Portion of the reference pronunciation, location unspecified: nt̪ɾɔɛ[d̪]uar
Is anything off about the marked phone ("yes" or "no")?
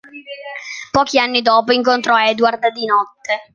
no